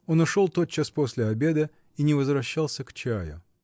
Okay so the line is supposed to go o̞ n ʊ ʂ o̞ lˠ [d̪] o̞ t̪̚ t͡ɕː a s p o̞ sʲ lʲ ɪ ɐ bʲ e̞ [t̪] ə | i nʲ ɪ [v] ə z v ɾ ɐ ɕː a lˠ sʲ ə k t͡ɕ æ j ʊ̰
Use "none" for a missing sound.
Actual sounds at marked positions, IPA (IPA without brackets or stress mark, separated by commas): t̪, d̪, v